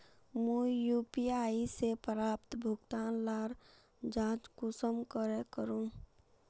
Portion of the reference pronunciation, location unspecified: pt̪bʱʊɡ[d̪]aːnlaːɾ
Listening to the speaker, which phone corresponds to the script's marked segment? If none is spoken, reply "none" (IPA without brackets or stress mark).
t̪